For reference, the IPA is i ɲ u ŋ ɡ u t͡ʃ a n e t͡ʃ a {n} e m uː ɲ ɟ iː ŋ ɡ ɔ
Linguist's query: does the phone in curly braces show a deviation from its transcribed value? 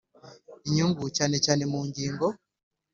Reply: no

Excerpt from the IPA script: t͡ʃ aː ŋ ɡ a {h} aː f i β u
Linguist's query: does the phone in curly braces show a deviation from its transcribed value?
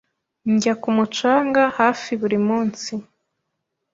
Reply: no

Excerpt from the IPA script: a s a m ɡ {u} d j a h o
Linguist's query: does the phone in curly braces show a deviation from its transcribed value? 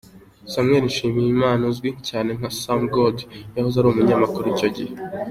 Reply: yes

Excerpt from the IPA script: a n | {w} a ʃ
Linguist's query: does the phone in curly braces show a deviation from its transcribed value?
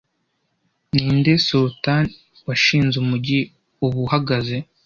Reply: no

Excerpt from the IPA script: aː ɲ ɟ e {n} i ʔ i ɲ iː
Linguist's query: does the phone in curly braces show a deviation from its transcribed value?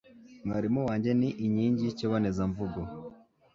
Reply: no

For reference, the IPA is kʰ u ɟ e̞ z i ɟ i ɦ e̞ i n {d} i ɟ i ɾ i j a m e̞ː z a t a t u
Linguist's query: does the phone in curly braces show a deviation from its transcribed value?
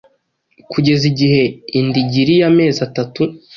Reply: no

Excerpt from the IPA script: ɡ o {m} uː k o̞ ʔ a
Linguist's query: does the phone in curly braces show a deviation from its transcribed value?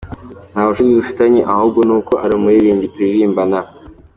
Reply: yes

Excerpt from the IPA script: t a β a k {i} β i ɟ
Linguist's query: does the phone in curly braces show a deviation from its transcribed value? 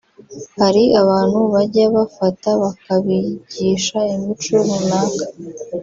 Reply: yes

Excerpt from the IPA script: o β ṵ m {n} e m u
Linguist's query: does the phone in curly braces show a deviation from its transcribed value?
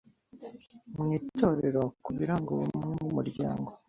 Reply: yes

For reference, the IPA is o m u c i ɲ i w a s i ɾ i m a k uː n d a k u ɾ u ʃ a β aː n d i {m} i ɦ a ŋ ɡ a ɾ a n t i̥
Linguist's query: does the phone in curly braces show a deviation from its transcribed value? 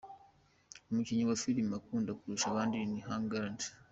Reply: yes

